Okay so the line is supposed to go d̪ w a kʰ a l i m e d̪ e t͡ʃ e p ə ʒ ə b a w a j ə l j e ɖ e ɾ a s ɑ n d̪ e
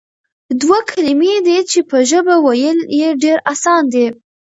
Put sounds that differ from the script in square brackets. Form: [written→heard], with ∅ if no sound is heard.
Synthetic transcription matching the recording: d̪ w a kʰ a l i m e d̪ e t͡ʃ e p ə ʒ ə b a w a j ə l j e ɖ e ɾ a s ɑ n d̪ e